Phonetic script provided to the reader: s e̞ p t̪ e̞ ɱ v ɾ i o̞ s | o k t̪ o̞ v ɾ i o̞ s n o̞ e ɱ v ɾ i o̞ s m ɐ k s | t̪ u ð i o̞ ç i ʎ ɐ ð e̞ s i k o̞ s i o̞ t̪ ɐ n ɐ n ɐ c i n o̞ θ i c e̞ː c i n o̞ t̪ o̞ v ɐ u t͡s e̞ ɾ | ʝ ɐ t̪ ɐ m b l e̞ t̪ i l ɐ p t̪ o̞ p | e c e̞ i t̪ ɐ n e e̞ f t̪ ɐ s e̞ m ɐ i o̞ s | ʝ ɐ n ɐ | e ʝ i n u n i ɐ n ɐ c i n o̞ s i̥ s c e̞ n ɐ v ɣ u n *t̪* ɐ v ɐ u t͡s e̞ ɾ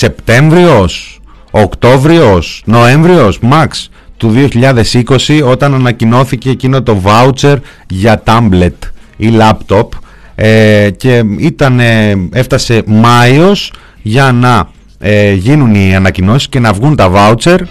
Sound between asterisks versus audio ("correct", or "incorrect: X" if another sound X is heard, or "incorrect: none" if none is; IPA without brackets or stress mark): correct